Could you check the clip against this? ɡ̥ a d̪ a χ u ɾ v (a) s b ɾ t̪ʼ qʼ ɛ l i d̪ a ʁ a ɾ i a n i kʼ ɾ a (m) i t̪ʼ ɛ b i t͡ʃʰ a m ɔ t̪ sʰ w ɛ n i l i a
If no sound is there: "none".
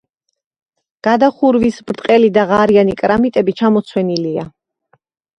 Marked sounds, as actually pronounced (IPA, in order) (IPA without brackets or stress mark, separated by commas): i, m